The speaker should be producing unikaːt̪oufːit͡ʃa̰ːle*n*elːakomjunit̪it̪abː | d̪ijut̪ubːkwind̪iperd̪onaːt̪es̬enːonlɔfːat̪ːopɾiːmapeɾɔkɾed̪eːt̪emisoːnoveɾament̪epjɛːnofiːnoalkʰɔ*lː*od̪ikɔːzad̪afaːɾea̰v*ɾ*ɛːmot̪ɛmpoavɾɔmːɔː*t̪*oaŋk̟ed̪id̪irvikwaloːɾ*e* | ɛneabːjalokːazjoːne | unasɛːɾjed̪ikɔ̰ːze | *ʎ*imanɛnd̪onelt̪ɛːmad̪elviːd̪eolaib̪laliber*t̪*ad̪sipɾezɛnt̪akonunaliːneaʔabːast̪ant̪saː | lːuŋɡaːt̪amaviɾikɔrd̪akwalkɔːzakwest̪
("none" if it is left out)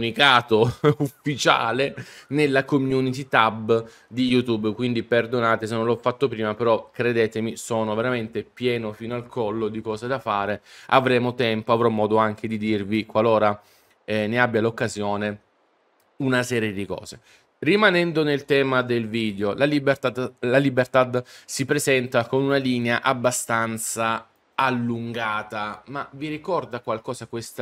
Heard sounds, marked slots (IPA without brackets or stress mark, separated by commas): n, lː, ɾ, d̪, a, r, t̪